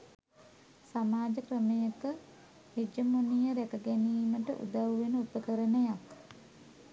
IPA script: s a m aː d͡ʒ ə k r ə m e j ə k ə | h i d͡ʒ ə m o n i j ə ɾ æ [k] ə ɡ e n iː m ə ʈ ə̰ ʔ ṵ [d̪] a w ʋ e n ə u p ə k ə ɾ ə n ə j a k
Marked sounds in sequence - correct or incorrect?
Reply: correct, correct

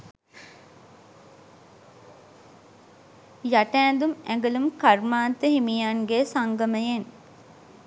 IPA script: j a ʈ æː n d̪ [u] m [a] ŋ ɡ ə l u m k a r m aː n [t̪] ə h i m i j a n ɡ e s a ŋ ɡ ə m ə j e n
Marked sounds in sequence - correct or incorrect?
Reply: correct, incorrect, correct

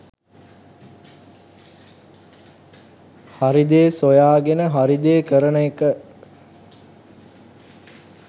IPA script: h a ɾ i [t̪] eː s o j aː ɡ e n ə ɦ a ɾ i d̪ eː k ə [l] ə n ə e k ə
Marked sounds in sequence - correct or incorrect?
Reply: incorrect, incorrect

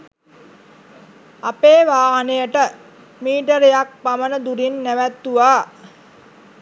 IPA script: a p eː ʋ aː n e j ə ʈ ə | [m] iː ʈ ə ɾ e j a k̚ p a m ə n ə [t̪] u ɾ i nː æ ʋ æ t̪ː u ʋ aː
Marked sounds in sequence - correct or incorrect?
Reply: correct, incorrect

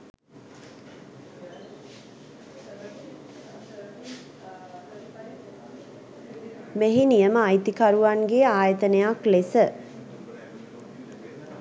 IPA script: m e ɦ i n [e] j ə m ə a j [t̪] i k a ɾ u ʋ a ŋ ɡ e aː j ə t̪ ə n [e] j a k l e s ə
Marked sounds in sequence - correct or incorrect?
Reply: incorrect, correct, correct

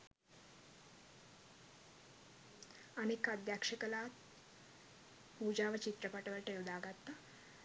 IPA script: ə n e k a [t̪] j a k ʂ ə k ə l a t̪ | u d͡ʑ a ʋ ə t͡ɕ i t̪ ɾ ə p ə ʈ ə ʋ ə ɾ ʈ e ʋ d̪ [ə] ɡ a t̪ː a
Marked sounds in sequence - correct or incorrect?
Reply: incorrect, incorrect

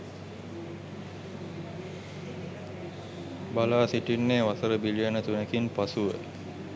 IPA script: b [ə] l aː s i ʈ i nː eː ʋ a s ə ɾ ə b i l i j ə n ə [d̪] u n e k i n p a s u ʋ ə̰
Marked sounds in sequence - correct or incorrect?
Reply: incorrect, incorrect

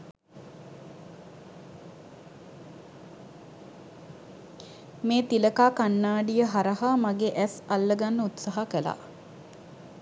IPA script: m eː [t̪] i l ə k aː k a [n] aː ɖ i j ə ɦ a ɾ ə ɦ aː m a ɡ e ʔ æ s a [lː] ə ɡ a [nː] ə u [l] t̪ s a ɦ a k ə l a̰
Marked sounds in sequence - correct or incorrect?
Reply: correct, incorrect, correct, correct, incorrect

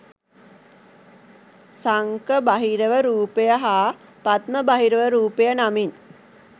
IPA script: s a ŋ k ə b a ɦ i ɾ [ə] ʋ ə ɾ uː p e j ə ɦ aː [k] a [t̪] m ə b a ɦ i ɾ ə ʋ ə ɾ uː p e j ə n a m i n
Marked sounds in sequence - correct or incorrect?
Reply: correct, incorrect, correct

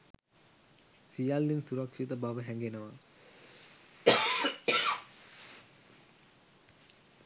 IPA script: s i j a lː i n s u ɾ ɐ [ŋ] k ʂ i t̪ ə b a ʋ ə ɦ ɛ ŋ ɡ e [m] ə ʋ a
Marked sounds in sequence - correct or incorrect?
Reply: incorrect, incorrect

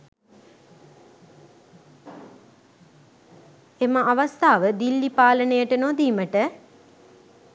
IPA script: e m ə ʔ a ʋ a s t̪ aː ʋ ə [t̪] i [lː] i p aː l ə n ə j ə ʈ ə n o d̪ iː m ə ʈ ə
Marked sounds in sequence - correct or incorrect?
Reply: incorrect, correct

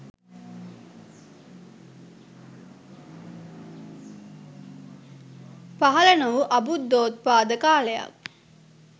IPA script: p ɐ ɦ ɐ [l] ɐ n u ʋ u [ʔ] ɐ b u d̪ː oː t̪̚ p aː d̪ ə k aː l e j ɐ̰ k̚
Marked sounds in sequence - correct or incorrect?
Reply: correct, correct

